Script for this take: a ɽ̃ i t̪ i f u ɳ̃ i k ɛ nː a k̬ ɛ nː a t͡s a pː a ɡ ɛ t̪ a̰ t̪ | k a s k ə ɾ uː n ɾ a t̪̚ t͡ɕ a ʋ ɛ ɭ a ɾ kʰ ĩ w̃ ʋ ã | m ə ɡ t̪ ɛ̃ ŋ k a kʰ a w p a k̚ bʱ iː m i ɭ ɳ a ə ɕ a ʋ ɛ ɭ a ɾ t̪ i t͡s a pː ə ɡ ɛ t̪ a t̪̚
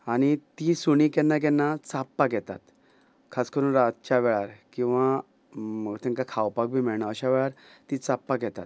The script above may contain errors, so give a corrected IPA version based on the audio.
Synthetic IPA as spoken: a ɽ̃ i t̪ i s u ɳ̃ i k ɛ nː a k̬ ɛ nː a t͡s a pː a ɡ ɛ t̪ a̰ t̪ | kʰ a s k ə ɾ uː n ɾ a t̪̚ t͡ɕ a ʋ ɛ ɭ a ɾ k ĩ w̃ ʋ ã | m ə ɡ t̪ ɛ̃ ŋ k a kʰ a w p a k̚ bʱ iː m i ɭ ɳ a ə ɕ a ʋ ɛ ɭ a ɾ t̪ i t͡s a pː a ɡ ɛ t̪ a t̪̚